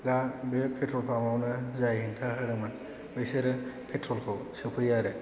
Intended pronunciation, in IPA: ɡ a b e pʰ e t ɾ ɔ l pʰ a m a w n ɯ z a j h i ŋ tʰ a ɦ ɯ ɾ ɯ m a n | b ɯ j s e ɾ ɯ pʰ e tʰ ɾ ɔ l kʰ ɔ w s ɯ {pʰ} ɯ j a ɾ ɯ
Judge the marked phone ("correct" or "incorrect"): correct